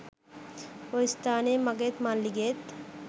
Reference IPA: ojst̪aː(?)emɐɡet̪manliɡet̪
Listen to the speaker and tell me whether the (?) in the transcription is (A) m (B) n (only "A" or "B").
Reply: B